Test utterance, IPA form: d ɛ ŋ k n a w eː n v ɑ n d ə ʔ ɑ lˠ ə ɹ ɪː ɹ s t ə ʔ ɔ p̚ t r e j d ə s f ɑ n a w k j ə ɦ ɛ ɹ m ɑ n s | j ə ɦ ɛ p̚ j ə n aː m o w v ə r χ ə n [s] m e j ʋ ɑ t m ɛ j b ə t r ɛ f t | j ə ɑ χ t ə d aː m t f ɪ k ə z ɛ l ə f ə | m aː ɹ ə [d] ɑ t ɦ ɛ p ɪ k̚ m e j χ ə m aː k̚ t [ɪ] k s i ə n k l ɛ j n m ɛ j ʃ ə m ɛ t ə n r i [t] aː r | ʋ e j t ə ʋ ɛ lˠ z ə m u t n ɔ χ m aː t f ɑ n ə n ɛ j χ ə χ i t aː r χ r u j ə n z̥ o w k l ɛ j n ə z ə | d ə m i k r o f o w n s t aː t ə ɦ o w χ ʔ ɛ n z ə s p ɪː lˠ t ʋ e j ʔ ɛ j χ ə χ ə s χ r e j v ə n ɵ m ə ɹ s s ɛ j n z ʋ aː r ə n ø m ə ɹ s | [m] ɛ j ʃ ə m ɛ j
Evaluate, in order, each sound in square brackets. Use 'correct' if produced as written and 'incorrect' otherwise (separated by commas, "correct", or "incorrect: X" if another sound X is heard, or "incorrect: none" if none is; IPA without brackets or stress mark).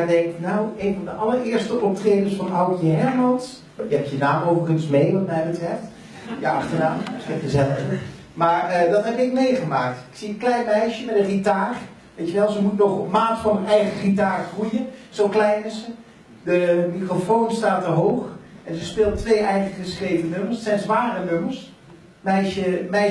correct, correct, correct, correct, correct